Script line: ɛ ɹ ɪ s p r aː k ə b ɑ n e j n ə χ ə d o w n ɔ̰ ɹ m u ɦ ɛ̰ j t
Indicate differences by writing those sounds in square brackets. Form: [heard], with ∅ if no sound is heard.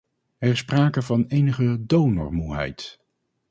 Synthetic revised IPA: ɛ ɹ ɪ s p r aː k ə [v] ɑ n e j n ə χ ə d o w n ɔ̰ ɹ m u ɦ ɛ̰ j t

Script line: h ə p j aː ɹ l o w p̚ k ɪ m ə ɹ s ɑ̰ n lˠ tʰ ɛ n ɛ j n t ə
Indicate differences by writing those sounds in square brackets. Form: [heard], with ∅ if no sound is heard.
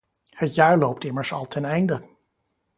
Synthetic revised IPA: h ə [t] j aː ɹ l o w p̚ [t] ɪ m ə ɹ s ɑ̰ [∅] lˠ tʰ ɛ n ɛ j n [d] ə

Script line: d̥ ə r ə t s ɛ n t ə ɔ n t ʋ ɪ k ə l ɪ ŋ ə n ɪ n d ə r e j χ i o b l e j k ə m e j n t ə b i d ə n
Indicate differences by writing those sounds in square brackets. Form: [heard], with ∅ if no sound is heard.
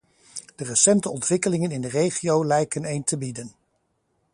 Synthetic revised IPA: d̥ ə r ə [∅] s ɛ n t ə ɔ n t ʋ ɪ k ə l ɪ ŋ ə n ɪ n d ə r e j χ i o [w] l [ɛ] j k ə [n] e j n t ə b i d ə n

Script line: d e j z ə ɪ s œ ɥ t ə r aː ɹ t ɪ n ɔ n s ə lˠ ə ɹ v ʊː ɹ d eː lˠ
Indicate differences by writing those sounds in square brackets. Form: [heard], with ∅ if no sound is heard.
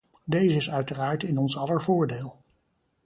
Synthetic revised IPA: d e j z ə ɪ s œ ɥ t ə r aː ɹ t ɪ n ɔ n s [ɑ] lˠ ə ɹ v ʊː ɹ d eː lˠ

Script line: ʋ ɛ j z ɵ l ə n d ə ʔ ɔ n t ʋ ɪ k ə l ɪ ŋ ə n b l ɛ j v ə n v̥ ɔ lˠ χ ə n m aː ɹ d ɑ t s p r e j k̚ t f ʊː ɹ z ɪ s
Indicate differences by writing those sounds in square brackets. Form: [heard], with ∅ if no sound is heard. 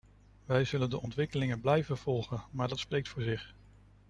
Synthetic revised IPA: ʋ ɛ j z ɵ l ə n d ə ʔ ɔ n t ʋ ɪ k ə l ɪ ŋ ə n b l ɛ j v ə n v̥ ɔ lˠ χ ə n m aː ɹ d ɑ t s p r e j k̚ t f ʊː ɹ z ɪ [χ]

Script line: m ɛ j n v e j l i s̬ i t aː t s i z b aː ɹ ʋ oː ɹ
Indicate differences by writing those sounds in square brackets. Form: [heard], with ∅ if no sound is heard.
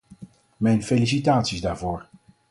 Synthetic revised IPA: m ɛ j n [f] e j l i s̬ i t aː t s i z [d] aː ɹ [v] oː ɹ

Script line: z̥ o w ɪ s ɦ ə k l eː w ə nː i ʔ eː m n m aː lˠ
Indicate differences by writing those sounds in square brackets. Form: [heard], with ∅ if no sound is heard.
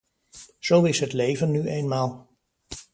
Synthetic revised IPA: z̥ o w ɪ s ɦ ə [t] l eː [v] ə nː [y] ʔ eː [∅] n m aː lˠ

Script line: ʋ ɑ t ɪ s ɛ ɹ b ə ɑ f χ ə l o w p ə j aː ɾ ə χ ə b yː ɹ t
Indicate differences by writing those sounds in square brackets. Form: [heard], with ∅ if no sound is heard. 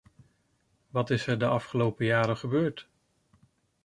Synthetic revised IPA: ʋ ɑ t ɪ s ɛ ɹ [d] ə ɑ f χ ə l o w p ə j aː ɾ ə χ ə b [øː] ɹ t

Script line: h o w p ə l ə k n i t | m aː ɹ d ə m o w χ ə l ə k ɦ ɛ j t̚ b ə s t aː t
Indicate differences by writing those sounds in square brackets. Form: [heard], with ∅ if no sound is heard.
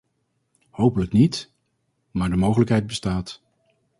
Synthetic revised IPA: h o w p ə l ə k n i t | m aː ɹ d ə m o w χ ə l ə k ɦ ɛ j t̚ b ə s t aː t

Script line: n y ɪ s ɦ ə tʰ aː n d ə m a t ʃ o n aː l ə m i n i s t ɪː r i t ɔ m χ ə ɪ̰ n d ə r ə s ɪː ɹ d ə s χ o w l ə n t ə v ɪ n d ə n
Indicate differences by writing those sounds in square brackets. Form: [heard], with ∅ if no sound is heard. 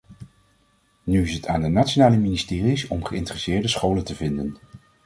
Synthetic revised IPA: n y ɪ s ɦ ə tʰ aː n d ə [n] a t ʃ o n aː l ə m i n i s t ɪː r i [s] ɔ m χ ə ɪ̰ n [t] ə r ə s ɪː ɹ d ə s χ o w l ə n t ə v ɪ n d ə n

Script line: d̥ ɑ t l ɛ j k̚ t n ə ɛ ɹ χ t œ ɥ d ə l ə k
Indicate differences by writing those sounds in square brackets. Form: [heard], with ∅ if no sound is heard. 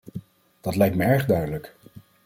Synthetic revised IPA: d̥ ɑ t l ɛ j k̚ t [m] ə ɛ ɹ χ [d] œ ɥ d ə l ə k

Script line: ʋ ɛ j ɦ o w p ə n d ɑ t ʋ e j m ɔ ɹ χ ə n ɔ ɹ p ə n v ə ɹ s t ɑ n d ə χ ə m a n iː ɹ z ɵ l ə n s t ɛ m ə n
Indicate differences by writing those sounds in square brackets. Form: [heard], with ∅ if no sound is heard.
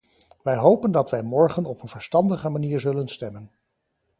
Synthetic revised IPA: ʋ ɛ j ɦ o w p ə n d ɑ t ʋ [ɛ] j m ɔ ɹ χ ə n ɔ [∅] p ə n v ə ɹ s t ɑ n d ə χ ə m a n iː ɹ z ɵ l ə n s t ɛ m ə n

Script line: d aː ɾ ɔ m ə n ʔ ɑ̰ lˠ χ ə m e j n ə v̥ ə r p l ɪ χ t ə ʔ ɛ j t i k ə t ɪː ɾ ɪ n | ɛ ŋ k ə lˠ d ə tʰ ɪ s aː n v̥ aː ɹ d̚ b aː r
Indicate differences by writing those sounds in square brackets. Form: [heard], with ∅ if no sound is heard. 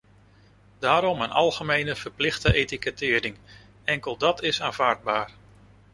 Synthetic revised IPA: d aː ɾ ɔ m ə n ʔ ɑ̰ lˠ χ ə m e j n ə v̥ ə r p l ɪ χ t ə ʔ [e] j t i k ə t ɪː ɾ ɪ [ŋ] | ɛ ŋ k ə lˠ d [ɑ] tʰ ɪ s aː n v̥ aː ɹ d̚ b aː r

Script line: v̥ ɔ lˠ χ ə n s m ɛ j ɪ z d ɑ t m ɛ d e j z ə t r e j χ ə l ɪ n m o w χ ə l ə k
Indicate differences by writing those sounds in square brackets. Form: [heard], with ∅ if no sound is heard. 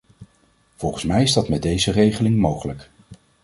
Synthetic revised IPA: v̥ ɔ lˠ χ ə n s m ɛ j ɪ z d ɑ t m ɛ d e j z ə [∅] r e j χ ə l ɪ [ŋ] m o w χ ə l ə k

